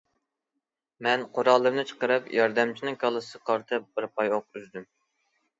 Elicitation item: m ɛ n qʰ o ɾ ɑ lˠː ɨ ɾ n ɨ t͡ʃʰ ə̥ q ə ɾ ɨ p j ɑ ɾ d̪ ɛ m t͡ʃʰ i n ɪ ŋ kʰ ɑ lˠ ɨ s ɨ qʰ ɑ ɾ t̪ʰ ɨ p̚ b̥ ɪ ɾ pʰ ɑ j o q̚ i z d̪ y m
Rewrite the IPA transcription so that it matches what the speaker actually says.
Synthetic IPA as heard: m ɛ n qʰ o ɾ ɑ lˠː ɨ ɾ n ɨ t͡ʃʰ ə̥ q ə ɾ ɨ p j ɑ ɾ d̪ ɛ m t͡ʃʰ i n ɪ ŋ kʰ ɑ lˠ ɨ s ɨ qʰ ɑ ɾ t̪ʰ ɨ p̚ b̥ ɪ ɾ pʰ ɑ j o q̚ y z d̪ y m